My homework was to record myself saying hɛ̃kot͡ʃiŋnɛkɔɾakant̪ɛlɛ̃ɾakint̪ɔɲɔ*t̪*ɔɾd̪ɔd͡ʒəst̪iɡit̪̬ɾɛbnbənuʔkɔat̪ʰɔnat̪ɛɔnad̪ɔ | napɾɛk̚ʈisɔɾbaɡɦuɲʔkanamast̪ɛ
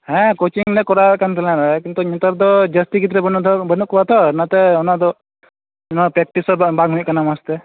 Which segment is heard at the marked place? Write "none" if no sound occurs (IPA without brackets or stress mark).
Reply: t̪